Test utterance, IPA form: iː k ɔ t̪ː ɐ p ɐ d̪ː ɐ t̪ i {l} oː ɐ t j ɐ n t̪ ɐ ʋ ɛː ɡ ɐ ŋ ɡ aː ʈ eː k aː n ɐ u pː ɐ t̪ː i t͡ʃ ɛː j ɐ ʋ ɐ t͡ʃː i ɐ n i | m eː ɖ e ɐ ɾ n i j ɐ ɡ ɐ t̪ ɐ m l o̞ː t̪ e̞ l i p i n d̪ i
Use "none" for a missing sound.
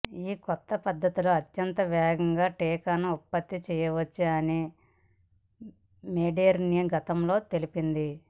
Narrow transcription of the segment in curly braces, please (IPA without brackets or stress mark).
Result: l